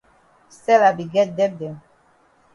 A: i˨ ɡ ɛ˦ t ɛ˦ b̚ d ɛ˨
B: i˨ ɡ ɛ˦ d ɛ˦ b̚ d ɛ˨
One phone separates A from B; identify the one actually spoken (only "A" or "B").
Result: B